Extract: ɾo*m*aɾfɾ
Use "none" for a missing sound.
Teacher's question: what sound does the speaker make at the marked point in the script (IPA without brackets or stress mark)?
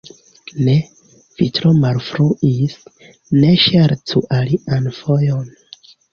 m